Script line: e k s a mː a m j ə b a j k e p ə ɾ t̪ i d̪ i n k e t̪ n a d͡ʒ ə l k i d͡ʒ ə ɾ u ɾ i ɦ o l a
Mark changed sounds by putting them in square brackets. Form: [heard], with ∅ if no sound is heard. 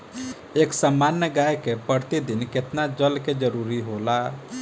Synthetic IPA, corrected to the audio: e k s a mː a [n] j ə [ɡ] a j k e p ə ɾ t̪ i d̪ i n k e t̪ n a d͡ʒ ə l k [e] d͡ʒ ə ɾ u ɾ i ɦ o l a